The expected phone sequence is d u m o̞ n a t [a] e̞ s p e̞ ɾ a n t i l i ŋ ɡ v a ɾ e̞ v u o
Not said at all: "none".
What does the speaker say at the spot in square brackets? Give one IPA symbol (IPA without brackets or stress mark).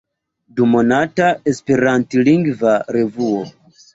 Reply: a